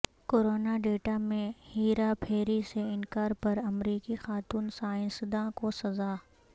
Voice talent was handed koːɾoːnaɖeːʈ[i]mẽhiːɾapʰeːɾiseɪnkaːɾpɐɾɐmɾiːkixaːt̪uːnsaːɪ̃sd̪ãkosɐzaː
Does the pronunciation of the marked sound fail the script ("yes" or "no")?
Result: yes